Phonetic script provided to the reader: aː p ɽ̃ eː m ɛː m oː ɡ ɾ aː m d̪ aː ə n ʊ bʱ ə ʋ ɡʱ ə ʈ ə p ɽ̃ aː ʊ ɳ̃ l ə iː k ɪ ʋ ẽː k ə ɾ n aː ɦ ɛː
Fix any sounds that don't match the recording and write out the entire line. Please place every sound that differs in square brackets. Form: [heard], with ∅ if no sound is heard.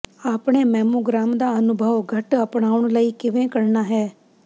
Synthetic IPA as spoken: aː p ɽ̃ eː m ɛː m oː ɡ ɾ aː m d̪ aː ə n ʊ bʱ ə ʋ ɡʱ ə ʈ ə p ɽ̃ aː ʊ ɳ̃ l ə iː k ɪ ʋ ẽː k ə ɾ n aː ɦ ɛː